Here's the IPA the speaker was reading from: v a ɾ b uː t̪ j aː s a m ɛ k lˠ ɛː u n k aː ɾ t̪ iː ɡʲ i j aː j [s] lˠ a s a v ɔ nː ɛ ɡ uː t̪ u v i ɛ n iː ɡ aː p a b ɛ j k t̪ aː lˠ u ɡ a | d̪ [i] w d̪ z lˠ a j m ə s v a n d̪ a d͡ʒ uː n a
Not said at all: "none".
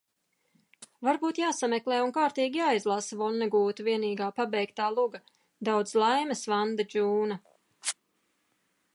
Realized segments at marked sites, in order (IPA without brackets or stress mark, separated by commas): z, a